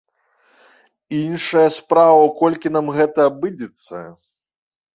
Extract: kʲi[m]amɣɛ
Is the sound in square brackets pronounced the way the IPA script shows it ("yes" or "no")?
no